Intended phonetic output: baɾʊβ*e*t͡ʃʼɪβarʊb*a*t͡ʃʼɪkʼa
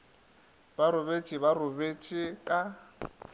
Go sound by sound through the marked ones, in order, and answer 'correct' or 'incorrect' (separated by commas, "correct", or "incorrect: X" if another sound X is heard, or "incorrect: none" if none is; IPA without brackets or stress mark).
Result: correct, incorrect: e